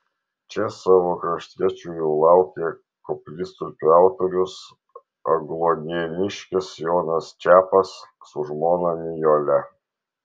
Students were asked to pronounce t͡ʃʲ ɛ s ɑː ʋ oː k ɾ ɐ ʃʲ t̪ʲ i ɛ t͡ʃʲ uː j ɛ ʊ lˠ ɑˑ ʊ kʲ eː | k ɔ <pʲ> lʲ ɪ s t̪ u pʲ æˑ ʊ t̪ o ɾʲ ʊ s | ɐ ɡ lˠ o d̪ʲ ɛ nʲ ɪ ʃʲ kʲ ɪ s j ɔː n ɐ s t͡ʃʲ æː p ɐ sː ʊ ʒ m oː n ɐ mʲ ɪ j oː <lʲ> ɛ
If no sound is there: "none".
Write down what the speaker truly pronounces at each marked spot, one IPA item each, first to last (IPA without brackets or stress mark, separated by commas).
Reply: pʲ, lʲ